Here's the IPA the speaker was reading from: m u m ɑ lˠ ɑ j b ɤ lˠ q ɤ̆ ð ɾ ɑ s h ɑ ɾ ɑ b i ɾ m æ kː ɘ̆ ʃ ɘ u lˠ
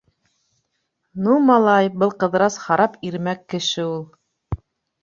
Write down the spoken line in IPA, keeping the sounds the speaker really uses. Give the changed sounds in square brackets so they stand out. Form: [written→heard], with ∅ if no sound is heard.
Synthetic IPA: [m→n] u m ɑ lˠ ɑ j b ɤ lˠ q ɤ̆ ð ɾ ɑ s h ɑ ɾ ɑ [b→p] i ɾ m æ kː ɘ̆ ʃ ɘ u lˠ